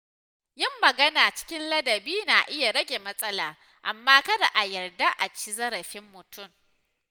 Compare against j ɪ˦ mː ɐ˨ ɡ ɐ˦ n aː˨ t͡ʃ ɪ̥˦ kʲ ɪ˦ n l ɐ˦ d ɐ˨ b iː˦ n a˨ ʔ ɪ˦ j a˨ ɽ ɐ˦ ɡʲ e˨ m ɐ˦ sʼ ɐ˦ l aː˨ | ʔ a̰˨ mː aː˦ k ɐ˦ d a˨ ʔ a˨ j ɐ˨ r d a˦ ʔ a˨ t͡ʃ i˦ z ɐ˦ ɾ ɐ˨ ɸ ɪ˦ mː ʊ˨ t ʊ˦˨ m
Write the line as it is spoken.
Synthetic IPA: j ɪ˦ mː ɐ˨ ɡ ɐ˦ n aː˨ t͡ʃ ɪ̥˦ kʲ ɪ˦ n l ɐ˦ d ɐ˨ b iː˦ n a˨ ʔ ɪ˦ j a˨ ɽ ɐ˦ ɡʲ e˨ m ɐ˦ sʼ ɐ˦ l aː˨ | ʔ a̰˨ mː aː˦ k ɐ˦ d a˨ ʔ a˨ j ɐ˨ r d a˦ ʔ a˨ t͡ʃ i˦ z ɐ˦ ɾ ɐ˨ ɸ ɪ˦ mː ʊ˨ t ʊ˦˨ m

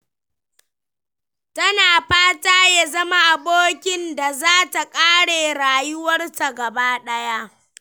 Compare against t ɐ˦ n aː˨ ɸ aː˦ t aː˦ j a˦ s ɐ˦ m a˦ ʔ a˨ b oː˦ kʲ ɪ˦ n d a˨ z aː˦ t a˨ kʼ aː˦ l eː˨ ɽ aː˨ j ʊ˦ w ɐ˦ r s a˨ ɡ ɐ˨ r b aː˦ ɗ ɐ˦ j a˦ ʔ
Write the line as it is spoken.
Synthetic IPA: t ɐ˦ n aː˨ ɸ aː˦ t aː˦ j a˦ z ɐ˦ m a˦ ʔ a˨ b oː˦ kʲ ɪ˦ n d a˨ z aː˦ t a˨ kʼ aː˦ ɽ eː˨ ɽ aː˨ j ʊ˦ w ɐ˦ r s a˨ ɡ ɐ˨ b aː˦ ɗ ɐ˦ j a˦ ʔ

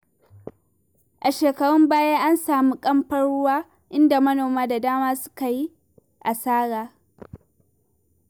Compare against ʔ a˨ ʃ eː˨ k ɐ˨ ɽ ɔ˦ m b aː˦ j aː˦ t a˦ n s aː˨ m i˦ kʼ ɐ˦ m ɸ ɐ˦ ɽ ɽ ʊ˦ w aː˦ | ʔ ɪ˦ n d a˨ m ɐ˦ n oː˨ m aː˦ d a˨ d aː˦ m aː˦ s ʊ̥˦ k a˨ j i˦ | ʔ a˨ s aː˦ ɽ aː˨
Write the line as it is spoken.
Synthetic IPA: ʔ a˨ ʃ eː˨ k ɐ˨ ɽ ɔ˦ m b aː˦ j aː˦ ʔ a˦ n s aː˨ m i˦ kʼ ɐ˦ m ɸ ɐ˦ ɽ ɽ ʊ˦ w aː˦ | ʔ ɪ˦ n d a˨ m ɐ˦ n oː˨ m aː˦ d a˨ d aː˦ m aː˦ s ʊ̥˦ k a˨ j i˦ | ʔ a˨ s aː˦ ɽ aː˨

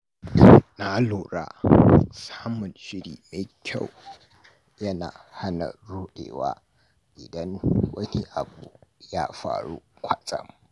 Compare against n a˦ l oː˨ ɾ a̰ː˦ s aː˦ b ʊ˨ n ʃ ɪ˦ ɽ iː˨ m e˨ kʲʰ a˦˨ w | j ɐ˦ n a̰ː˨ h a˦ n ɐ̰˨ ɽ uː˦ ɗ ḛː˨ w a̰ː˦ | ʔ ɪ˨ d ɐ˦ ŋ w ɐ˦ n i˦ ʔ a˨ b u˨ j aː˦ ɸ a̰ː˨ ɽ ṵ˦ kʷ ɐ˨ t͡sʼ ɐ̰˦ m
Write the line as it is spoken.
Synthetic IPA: n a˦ l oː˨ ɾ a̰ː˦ s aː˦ m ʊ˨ n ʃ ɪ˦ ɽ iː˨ m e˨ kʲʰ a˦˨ w | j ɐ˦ n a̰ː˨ h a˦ n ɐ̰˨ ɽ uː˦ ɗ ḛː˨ w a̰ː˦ | ʔ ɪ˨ d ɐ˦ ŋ w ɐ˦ n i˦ ʔ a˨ b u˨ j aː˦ ɸ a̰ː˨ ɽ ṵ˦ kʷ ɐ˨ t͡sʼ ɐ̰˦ m

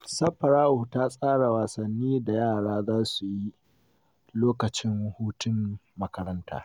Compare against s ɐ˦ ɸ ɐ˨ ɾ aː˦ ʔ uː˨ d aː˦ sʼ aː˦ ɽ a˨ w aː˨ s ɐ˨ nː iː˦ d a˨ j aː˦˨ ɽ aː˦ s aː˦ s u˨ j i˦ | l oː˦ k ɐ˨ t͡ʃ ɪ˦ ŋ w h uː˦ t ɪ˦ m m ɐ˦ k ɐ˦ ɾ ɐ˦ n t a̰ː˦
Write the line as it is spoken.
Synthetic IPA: s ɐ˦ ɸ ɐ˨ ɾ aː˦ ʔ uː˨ t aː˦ sʼ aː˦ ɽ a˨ w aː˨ s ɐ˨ nː iː˦ d a˨ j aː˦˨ ɽ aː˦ z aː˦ s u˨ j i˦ | l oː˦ k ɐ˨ t͡ʃ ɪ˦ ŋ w h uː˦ t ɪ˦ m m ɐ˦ k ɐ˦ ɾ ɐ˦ n t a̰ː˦

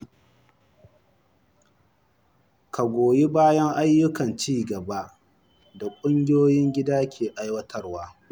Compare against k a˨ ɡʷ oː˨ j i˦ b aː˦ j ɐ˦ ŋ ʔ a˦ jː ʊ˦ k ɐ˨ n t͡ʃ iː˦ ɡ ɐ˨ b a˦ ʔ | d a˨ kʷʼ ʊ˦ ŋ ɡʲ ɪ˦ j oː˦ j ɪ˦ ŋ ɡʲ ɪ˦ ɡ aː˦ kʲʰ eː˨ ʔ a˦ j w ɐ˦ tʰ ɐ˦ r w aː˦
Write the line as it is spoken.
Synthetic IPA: k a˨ ɡʷ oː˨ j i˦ b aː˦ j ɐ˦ ŋ ʔ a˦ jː ʊ˦ k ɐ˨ n t͡ʃ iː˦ ɡ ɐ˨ b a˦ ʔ | d a˨ kʷʼ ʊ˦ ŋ ɡʲ ɪ˦ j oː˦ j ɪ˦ ŋ ɡʲ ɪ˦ d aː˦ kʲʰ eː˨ ʔ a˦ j w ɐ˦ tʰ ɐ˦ r w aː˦

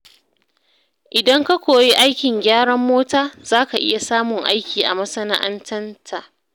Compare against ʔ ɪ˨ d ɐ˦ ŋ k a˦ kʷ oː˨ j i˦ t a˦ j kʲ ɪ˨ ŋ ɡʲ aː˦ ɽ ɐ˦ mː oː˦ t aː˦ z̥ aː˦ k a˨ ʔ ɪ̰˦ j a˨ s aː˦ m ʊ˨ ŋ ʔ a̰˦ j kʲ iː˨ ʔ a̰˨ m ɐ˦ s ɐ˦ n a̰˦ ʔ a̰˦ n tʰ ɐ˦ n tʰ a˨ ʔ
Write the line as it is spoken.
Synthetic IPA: ʔ ɪ˨ d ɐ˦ ŋ k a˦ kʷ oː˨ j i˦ ʔ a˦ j kʲ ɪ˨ ŋ ɡʲ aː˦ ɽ ɐ˦ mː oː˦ t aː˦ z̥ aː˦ k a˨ ʔ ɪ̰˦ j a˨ s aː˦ m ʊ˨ ŋ ʔ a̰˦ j kʲ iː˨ ʔ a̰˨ m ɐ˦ s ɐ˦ n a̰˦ ʔ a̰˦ n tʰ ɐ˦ n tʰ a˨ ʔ

